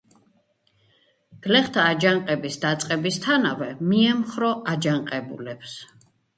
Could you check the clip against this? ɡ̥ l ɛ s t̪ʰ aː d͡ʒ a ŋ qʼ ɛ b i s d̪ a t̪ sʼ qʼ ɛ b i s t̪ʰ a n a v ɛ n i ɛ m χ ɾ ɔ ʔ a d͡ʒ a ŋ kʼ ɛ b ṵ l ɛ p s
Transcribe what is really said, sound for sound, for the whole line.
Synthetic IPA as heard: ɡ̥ l ɛ χ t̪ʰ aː d͡ʒ a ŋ qʼ ɛ b i s d̪ a t̪ sʼ qʼ ɛ b i s t̪ʰ a n a v ɛ m i ɛ m χ ɾ ɔ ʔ a d͡ʒ a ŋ qʼ ɛ b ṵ l ɛ p s